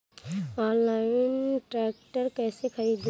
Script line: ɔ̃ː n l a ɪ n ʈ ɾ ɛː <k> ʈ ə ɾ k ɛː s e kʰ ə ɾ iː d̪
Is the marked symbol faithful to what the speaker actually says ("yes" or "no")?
yes